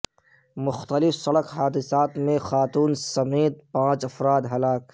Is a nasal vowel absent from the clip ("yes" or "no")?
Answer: no